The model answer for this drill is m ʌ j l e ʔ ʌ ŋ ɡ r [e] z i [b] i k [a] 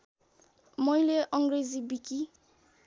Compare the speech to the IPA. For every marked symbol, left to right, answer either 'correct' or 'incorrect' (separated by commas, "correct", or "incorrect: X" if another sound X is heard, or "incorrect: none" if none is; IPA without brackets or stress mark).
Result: correct, correct, incorrect: i